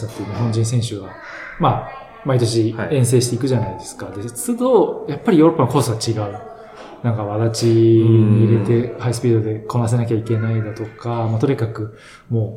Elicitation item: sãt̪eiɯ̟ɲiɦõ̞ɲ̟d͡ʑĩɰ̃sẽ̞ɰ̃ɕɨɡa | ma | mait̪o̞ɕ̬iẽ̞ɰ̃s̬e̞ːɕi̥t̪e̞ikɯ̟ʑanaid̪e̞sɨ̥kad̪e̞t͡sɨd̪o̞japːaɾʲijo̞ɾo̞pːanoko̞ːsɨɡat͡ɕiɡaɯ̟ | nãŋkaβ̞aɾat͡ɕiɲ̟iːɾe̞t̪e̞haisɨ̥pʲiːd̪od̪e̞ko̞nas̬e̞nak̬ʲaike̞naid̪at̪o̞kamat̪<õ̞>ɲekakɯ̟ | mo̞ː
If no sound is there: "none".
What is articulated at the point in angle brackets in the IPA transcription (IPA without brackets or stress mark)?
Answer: o̞